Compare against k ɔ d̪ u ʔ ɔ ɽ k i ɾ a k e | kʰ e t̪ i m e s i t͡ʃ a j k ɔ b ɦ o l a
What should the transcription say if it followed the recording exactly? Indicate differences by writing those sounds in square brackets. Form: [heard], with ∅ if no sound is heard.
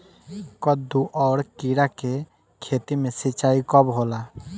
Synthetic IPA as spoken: k ɔ d̪ u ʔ ɔ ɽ k i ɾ a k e | kʰ e t̪ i m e s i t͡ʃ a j k ɔ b ɦ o l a